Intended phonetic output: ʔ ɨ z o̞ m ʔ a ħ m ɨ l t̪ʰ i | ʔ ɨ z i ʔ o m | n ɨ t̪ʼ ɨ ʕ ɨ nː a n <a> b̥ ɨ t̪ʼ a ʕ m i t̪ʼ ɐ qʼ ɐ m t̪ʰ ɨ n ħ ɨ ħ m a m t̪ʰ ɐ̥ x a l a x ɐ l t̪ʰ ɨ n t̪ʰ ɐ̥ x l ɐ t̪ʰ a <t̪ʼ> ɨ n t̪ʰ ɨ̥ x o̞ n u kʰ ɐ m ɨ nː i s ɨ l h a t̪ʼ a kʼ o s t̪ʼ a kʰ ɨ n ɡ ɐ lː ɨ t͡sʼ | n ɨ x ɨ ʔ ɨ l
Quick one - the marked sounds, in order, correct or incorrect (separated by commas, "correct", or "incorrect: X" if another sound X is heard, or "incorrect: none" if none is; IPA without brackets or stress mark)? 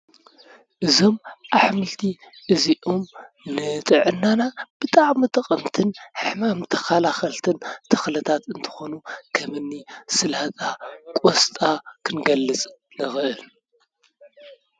correct, incorrect: t̪